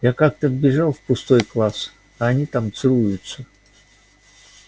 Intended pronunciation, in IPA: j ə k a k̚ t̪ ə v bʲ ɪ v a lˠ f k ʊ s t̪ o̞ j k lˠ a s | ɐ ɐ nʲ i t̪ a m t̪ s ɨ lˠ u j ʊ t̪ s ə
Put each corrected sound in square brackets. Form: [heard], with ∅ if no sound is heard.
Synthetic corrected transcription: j [a] k a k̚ t̪ ə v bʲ ɪ [ʐ] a lˠ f [p] ʊ s t̪ o̞ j k lˠ a s | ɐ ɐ nʲ i t̪ a m t̪ s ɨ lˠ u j ʊ t̪ s ə